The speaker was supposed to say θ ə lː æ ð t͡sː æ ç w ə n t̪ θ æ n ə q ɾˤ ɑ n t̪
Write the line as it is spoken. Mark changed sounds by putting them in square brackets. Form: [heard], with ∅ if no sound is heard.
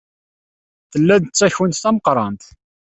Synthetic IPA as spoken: θ ə lː æ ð t͡sː æ ç w ə n t̪ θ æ [m] ə q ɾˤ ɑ n t̪